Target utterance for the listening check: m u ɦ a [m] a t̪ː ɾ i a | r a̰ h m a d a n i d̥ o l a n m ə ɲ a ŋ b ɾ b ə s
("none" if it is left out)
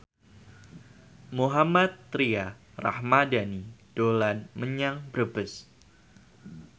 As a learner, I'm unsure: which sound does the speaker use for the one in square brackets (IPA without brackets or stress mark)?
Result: m